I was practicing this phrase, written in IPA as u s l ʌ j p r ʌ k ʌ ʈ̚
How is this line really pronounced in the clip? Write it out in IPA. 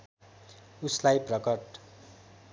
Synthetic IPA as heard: u s l a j p r ʌ k ʌ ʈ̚